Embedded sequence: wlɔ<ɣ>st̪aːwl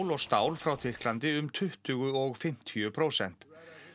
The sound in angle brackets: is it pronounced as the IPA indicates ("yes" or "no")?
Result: yes